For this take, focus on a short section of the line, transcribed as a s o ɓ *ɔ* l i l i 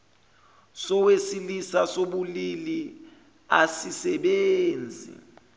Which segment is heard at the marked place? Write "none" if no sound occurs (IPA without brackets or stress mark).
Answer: u